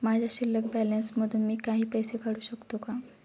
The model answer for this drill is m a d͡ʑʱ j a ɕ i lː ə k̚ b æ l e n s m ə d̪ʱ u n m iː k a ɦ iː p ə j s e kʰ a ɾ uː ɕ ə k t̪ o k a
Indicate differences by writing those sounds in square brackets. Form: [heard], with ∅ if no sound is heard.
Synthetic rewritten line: m a d͡ʑʱ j a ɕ i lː ə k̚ b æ l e n s m ə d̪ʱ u n m iː k a ɦ iː p ə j s e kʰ a [ɽ] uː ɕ ə k t̪ o k a